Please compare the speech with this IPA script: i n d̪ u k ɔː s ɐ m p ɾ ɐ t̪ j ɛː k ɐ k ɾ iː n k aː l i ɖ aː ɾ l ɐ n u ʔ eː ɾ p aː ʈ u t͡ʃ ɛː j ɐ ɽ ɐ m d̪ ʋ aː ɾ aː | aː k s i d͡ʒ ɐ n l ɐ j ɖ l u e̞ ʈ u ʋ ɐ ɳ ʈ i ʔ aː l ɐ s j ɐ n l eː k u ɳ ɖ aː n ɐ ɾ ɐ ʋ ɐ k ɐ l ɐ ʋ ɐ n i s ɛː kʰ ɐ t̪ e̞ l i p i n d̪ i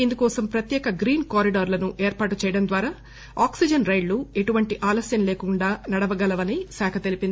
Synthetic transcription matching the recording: i n d̪ u k ɔː s ɐ m p ɾ ɐ t̪ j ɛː k ɐ ɡ ɾ iː n k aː ɾ i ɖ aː ɾ l ɐ n u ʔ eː ɾ p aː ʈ u t͡ʃ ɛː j ɐ ɽ ɐ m d̪ ʋ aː ɾ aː | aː k s i d͡ʒ ɐ n ɾ ɐ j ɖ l u e̞ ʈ u ʋ ɐ ɳ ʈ i ʔ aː l ɐ s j ɐ n l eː k u ɳ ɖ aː n ɐ ɽ ɐ ʋ ɐ ɡ ɐ l ɐ ʋ ɐ n i s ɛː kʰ ɐ t̪ e̞ l i p i n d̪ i